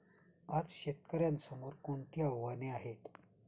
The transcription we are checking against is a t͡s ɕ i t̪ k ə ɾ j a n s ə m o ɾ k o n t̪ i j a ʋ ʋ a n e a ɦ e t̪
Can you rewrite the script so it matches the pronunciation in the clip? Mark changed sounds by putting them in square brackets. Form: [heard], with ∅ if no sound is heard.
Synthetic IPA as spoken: a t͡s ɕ [e] t̪ k ə ɾ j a n s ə m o ɾ k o [ɳ] t̪ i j a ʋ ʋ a n e a ɦ e t̪